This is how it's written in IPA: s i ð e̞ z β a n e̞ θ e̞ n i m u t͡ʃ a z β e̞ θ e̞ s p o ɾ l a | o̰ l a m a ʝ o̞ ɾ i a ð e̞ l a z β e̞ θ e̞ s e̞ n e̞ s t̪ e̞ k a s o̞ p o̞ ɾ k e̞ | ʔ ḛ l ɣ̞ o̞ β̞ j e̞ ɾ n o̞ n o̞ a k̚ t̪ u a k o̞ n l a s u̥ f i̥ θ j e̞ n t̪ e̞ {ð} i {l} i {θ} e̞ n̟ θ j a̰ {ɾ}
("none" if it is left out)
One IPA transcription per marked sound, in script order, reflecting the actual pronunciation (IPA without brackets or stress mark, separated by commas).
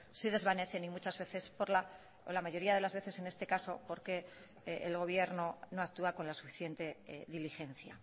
ð, l, x, none